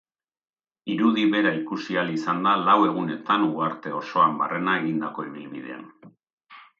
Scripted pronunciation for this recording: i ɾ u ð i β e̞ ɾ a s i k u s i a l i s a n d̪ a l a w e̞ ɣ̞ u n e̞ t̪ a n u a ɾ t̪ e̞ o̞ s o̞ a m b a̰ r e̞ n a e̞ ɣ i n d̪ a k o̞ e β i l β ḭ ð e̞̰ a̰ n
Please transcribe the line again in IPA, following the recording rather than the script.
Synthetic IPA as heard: i ɾ u ð i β e̞ ɾ a i k u s i a l i s a n d̪ a l a w e̞ ɣ̞ u n e̞ t̪ a n u a ɾ t̪ e̞ o̞ s o̞ a m b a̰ r e̞ n a e̞ ɣ i n d̪ a k o̞ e β i l β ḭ ð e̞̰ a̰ n